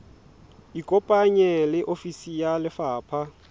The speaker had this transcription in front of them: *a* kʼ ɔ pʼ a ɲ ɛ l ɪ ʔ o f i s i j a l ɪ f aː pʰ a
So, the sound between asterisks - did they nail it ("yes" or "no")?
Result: no